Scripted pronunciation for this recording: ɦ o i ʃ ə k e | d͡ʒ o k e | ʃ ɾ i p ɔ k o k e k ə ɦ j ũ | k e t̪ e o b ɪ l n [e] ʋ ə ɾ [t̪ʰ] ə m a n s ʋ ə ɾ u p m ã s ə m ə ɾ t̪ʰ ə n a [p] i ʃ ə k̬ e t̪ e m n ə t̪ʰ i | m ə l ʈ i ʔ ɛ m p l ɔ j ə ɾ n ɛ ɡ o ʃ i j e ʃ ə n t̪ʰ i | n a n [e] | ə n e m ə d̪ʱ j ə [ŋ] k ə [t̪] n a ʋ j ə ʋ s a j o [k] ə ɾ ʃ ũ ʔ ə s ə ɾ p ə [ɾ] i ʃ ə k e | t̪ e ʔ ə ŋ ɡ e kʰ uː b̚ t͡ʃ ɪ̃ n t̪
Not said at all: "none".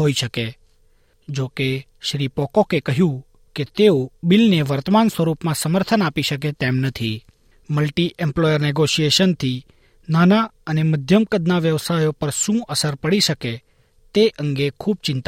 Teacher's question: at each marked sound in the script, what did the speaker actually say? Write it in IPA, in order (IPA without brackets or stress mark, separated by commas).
e, t̪, p, a, m, d̪, p, ɽ